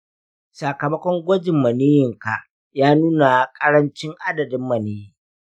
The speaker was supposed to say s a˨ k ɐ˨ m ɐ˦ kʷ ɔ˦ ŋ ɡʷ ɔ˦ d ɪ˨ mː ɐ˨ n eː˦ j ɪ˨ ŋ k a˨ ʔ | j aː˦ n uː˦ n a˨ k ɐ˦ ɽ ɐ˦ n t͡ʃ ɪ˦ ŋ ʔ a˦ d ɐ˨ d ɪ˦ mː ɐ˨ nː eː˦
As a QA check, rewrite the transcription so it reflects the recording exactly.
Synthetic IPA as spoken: s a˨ k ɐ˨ m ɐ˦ kʷ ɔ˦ ŋ ɡʷ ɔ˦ d͡ʒ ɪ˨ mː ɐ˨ n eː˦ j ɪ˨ ŋ k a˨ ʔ | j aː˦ n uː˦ n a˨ kʼ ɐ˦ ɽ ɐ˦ n t͡ʃ ɪ˦ ŋ ʔ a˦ d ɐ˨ d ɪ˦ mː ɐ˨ n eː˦